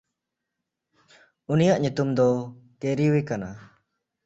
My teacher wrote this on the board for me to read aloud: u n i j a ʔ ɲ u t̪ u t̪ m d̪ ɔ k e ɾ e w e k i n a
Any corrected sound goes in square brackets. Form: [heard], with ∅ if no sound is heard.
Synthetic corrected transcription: u n i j a ʔ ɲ u t̪ u [∅] m d̪ ɔ k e ɾ [i] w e k [a] n a